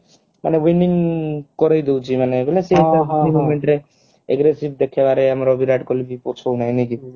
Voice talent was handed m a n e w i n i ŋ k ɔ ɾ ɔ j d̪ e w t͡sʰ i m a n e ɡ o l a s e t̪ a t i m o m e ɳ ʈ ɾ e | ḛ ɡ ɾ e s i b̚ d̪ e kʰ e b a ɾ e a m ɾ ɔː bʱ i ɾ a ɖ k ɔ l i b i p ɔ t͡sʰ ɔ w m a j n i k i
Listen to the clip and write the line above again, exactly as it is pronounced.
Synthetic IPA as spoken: m a n e w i n i ŋ k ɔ ɾ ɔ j d̪ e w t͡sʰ i m a n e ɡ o l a s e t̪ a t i m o m e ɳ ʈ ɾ e | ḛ ɡ ɾ e s i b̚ d̪ e kʰ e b a ɾ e a m ɾ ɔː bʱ i ɾ a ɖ k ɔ l i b i p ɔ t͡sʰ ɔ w n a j n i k i